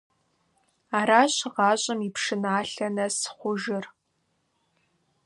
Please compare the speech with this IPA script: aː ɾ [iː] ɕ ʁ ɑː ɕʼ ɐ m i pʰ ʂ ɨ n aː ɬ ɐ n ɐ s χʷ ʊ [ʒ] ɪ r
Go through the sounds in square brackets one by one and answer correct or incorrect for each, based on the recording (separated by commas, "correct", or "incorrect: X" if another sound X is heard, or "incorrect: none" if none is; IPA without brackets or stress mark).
incorrect: aː, correct